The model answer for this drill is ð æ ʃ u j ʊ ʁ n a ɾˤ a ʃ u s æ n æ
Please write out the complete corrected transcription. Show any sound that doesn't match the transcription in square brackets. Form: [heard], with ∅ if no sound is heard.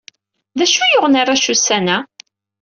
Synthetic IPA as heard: ð æ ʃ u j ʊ ʁ n a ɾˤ a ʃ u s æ n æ